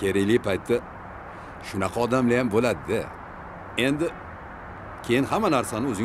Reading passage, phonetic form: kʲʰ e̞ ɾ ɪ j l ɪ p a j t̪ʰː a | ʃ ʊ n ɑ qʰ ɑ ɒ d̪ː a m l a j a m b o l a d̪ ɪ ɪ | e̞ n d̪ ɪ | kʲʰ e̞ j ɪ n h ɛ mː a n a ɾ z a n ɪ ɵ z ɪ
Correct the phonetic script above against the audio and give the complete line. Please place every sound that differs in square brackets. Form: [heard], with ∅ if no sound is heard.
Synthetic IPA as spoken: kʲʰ e̞ ɾ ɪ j l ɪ p a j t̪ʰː a | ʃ ʊ n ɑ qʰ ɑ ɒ [d̪] a m l a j a m b o l a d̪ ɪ ɪ | e̞ n d̪ ɪ | kʲʰ e̞ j ɪ n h [a] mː a n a ɾ [s] a n ɪ ɵ z ɪ